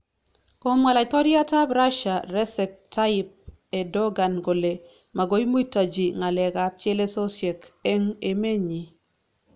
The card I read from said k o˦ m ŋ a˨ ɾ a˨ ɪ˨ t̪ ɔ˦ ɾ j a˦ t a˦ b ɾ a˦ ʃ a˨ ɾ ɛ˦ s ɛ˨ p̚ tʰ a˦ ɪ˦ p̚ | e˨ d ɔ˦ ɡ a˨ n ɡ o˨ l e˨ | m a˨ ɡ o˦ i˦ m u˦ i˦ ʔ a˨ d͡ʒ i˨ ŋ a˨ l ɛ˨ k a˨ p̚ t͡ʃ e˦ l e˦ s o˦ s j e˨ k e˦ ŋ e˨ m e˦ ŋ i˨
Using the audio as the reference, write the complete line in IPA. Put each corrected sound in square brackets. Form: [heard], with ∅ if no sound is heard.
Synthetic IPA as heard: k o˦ m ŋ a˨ [l] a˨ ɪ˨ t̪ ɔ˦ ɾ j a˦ t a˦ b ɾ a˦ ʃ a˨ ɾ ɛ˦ s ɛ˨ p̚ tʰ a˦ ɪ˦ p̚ | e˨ d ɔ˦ ɡ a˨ n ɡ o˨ l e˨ | m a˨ ɡ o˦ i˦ m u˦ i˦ [t] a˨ d͡ʒ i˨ ŋ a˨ l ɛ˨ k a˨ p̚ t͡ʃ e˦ l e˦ s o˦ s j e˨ k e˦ ŋ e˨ m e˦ [ɲ] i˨

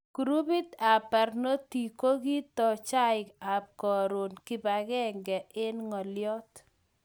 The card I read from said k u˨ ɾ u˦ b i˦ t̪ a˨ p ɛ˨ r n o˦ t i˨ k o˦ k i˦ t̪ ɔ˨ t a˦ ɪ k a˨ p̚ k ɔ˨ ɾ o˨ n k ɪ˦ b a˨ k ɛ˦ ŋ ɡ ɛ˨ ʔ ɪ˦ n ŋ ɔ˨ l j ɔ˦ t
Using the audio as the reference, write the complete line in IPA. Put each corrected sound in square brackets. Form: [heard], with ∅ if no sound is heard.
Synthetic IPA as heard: k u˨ ɾ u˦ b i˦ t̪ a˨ p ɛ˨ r n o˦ t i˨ k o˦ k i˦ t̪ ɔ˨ [t͡ʃ] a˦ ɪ k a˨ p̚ k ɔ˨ ɾ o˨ n k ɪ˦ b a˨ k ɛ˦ ŋ ɡ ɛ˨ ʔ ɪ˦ n ŋ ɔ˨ l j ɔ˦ t

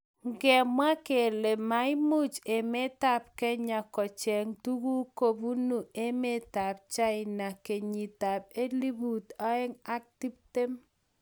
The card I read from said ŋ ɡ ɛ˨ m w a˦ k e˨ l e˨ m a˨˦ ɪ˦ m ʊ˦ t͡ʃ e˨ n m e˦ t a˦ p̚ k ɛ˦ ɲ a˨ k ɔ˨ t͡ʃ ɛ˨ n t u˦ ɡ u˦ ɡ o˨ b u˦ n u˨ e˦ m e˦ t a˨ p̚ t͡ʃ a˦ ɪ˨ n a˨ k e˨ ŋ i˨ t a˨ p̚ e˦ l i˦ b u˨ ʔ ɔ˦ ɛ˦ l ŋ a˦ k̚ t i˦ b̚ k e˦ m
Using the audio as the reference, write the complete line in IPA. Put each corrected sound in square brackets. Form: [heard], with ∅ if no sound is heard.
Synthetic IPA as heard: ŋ ɡ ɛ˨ m w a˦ k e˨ l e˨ m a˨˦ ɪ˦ m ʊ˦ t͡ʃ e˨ [∅] m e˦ t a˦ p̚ k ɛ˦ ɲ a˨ k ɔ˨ t͡ʃ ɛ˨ [ŋ] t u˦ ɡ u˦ [k] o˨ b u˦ n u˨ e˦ m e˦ t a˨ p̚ t͡ʃ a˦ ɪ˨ n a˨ k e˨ [ɲ] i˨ t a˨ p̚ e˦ l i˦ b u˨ [t] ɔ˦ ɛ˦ [∅] ŋ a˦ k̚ t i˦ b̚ [t] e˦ m

